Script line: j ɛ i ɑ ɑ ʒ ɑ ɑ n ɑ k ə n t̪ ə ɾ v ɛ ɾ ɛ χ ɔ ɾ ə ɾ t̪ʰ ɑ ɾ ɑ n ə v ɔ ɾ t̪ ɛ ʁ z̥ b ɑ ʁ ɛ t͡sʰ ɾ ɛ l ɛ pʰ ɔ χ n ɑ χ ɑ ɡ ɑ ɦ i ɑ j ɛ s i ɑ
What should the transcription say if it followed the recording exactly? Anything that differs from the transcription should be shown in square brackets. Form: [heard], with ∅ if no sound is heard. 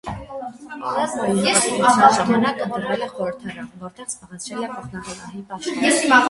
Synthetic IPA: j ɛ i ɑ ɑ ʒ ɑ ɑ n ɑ k ə n t̪ ə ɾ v ɛ [l] ɛ χ ɔ ɾ ə ɾ t̪ʰ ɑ ɾ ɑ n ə v ɔ ɾ t̪ ɛ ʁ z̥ b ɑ ʁ ɛ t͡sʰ ɾ ɛ l ɛ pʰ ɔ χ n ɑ χ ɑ ɡ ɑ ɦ i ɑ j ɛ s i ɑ